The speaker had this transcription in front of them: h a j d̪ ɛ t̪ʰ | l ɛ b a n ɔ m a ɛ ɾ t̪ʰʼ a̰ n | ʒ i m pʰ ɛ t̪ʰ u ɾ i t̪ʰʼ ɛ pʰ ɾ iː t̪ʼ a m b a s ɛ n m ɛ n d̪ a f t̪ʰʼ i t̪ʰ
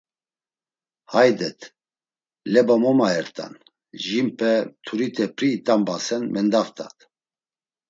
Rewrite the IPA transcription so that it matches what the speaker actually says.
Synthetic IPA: h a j d̪ ɛ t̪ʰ | l ɛ b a m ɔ m a ɛ ɾ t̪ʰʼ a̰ n | ʒ i m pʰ ɛ t̪ʰ u ɾ i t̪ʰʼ ɛ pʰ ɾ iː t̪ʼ a m b a s ɛ n m ɛ n d̪ a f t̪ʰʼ a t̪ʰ